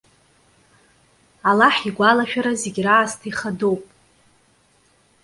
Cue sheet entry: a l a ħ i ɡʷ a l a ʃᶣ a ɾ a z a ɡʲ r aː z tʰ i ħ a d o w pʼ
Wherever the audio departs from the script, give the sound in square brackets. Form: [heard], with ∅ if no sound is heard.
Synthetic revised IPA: a l a ħ i ɡʷ a l a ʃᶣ a ɾ a z [e] ɡʲ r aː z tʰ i [χ] a d o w pʼ